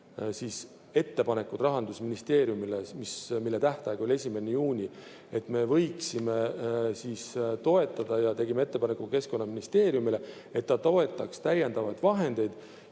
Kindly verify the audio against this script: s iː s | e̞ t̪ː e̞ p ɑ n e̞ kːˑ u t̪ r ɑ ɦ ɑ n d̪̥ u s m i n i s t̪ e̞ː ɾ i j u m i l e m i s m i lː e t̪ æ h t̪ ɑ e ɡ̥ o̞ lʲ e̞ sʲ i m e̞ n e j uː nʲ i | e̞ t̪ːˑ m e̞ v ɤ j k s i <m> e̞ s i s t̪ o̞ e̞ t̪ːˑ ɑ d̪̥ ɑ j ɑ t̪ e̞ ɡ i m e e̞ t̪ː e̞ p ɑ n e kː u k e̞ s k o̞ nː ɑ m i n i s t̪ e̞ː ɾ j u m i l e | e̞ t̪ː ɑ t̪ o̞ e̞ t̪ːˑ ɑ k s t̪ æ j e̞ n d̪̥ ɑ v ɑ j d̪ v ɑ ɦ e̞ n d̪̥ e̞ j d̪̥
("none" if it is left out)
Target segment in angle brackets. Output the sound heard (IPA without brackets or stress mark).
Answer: m